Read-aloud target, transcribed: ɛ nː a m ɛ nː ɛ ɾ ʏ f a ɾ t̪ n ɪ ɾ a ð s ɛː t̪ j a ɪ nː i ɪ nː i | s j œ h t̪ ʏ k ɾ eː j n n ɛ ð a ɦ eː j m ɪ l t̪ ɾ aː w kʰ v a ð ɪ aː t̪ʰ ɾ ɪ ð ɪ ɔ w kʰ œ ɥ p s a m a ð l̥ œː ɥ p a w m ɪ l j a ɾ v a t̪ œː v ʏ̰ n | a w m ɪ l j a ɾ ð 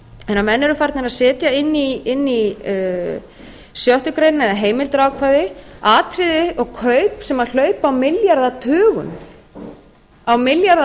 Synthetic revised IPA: ɛ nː a m ɛ nː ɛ ɾ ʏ f a ɾ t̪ n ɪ ɾ a ð s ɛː t̪ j a ɪ nː i ɪ nː i | s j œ h t̪ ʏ k ɾ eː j n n ɛ ð a ɦ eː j m ɪ l t̪ ɾ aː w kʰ v a ð ɪ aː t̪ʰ ɾ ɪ ð ɪ ɔ ɣ kʰ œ ɥ p s ɛ m a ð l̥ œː ɥ p a w m ɪ l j a ɾ ð a t̪ʰ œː ɣ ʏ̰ n | a w m ɪ l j a ɾ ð